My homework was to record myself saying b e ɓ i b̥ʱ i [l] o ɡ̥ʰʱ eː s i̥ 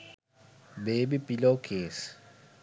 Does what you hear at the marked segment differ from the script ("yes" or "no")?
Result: no